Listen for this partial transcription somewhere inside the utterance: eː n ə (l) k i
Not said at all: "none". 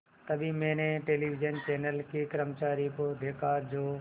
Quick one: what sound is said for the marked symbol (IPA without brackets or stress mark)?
l